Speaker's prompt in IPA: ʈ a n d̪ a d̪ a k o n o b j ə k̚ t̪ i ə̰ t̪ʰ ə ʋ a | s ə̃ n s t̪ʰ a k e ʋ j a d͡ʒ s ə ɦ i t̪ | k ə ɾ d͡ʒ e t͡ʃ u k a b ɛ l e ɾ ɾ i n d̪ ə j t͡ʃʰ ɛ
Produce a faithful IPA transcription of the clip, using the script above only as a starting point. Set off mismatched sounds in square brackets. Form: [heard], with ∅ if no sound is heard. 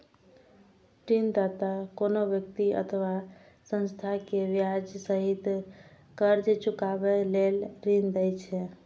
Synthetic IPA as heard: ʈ [i] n d̪ a [t̪] a k o n o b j ə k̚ t̪ i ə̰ t̪ʰ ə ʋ a | s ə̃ n s t̪ʰ a k e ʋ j a d͡ʒ s ə ɦ i t̪ | k ə ɾ d͡ʒ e t͡ʃ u k a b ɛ l e [l] ɾ i n d̪ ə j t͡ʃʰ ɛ